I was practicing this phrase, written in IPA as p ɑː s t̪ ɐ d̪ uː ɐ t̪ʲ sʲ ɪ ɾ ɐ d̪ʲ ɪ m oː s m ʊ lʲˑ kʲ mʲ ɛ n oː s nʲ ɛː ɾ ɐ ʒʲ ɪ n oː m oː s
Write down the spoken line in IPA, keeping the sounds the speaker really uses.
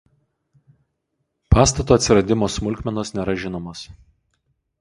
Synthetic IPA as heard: p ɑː s t̪ ɐ t̪ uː ɐ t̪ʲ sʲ ɪ ɾ ɐ d̪ʲ ɪ m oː s m ʊ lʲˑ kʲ mʲ ɛ n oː s nʲ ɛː ɾ ɐ ʒʲ ɪ n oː m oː s